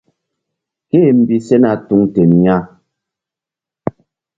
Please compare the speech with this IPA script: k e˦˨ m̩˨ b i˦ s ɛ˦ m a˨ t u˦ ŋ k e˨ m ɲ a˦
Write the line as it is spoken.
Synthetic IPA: k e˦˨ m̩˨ b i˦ s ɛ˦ n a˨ t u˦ ŋ t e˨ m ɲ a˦